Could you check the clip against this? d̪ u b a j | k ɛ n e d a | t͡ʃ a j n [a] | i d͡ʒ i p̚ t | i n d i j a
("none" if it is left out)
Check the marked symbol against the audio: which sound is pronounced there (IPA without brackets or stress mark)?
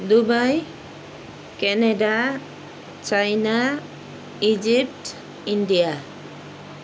a